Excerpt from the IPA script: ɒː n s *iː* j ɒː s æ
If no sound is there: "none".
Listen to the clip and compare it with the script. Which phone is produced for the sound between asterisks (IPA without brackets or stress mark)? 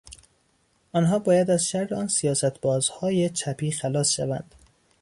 i